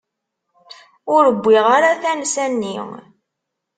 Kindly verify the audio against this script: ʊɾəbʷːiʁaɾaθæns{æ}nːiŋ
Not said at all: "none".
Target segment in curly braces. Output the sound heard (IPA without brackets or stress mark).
æ